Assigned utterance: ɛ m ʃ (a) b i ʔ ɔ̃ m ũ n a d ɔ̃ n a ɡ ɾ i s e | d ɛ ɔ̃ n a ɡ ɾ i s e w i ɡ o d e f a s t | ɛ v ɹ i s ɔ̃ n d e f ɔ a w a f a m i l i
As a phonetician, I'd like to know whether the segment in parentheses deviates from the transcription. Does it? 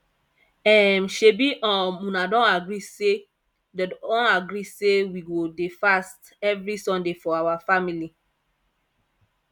yes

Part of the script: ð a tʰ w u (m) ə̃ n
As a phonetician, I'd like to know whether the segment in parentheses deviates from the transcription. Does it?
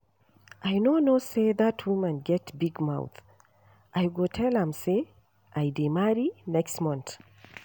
no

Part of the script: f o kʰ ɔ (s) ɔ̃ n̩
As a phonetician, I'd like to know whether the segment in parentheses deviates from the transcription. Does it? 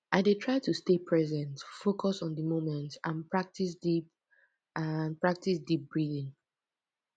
no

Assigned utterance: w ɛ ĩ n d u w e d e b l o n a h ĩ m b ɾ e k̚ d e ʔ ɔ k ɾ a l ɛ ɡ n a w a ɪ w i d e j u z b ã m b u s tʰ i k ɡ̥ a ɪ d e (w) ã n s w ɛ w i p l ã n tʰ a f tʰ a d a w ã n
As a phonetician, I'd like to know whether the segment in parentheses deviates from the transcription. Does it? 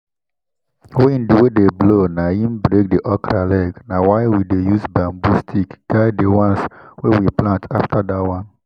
no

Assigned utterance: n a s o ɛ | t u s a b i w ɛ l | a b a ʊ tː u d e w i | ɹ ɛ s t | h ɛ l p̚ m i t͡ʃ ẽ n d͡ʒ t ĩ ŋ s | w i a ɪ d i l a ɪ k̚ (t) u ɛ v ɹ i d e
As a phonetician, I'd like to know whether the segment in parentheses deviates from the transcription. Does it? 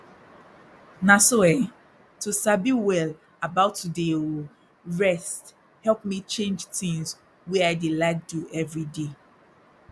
yes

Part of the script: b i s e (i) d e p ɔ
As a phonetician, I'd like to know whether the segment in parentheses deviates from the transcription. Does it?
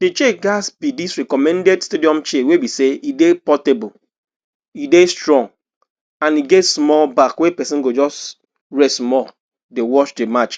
no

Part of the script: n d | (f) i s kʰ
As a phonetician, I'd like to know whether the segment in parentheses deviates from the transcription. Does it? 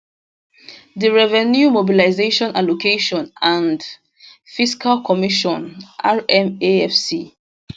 no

